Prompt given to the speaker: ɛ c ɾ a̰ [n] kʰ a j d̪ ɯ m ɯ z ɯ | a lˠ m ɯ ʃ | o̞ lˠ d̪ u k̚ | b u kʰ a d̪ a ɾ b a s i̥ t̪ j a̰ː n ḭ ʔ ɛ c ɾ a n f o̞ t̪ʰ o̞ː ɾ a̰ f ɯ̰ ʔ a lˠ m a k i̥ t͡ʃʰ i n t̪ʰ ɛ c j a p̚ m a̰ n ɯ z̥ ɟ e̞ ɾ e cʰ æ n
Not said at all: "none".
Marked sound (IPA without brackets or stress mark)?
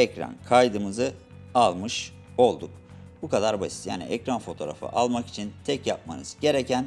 n